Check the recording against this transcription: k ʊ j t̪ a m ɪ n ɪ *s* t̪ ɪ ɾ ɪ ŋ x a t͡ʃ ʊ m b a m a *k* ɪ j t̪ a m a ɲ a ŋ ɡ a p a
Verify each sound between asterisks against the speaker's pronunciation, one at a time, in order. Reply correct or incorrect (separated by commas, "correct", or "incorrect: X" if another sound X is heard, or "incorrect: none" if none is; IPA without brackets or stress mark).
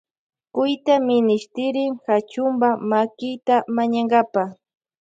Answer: incorrect: ʃ, correct